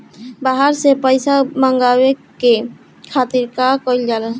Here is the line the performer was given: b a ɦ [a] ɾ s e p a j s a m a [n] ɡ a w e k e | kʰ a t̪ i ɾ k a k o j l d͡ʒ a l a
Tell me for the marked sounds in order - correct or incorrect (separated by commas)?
correct, incorrect